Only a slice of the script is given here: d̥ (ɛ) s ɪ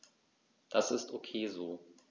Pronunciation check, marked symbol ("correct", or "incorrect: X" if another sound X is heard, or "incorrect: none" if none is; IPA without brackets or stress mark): incorrect: a